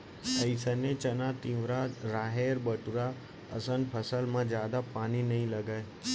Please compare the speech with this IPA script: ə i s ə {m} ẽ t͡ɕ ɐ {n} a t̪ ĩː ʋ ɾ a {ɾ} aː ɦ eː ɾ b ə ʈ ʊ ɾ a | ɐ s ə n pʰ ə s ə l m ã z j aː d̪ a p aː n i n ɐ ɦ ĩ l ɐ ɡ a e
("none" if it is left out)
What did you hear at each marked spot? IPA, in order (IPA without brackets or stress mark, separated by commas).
n, n, ɾ